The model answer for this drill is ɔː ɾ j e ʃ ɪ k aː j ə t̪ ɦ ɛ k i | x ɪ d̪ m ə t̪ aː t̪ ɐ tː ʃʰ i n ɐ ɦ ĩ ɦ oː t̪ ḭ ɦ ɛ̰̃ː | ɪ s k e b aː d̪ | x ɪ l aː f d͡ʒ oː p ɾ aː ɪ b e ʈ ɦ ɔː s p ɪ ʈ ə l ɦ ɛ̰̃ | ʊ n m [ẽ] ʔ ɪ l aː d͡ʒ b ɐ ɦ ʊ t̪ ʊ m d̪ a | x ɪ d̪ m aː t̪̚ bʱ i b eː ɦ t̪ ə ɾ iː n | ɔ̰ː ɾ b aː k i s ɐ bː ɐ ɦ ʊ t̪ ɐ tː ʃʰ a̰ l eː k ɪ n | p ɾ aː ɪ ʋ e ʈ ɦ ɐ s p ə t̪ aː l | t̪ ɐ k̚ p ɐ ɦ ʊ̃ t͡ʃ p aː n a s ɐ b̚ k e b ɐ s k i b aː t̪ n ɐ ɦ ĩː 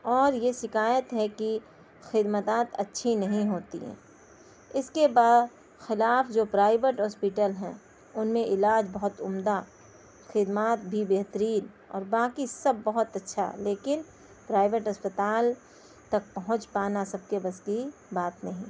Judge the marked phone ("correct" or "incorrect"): correct